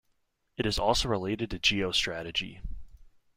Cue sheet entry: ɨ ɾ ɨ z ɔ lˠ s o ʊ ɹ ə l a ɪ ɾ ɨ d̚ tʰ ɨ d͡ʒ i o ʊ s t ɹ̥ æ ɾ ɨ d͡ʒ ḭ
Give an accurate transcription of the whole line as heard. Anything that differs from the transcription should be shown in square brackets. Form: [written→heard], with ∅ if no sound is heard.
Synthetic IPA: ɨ ɾ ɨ z ɔ lˠ s o ʊ ɹ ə l [a→e] ɪ ɾ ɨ d̚ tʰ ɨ d͡ʒ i o ʊ s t ɹ̥ æ ɾ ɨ d͡ʒ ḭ